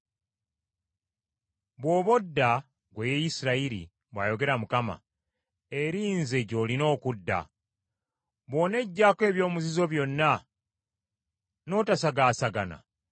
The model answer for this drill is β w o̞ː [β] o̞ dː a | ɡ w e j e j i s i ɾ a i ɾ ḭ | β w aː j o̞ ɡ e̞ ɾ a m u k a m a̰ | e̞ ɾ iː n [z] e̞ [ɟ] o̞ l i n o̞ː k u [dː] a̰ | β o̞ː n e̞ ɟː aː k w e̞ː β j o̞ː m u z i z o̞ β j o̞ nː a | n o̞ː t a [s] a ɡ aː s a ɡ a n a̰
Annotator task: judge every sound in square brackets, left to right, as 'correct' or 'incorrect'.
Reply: correct, correct, correct, correct, correct

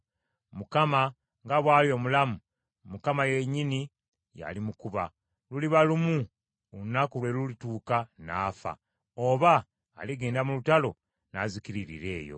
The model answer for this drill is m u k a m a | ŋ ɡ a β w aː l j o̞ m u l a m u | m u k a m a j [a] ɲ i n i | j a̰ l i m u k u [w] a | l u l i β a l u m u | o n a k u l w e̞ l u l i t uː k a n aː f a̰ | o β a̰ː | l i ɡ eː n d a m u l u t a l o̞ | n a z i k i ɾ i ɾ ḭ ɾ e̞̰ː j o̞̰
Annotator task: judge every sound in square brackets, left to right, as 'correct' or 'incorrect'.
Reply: incorrect: e, incorrect: β

